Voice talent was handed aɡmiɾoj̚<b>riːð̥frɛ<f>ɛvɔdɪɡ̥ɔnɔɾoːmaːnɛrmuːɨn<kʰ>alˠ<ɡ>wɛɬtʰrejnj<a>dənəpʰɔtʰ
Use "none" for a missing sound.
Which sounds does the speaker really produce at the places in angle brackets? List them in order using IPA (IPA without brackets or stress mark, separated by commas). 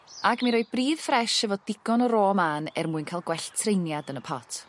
b, ʃ, kʰ, ɡ, a